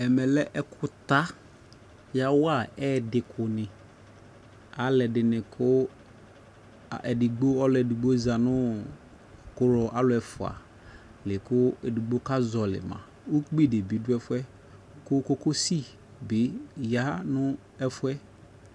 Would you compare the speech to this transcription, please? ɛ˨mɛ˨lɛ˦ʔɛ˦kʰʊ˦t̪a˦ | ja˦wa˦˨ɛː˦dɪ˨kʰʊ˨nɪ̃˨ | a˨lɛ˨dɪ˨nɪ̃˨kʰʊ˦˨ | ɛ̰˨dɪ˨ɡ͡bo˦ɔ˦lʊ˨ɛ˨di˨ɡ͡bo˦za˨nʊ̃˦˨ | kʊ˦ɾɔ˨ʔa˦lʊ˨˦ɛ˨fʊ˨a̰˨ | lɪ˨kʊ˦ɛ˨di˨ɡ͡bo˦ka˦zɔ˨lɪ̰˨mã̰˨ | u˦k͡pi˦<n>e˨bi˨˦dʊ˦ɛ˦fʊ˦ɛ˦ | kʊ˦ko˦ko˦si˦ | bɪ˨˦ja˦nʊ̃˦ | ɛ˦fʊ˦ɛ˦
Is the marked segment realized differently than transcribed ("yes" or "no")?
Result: yes